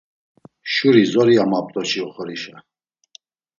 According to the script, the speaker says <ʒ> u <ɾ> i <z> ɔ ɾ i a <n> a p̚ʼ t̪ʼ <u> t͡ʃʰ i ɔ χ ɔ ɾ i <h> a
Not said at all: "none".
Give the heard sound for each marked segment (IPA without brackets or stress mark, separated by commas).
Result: ʃ, ɾ, z, m, ɔ, ʃ